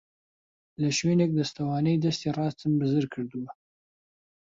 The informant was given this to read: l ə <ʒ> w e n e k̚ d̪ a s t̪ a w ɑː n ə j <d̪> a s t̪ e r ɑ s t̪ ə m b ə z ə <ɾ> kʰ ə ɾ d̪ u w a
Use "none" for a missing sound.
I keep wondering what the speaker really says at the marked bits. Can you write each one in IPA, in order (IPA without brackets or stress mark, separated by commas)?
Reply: ʃ, d̪, ɾ